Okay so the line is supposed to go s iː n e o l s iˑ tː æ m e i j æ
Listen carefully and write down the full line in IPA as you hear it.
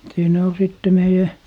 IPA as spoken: s iː n æ o l s iˑ tː e m e i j æ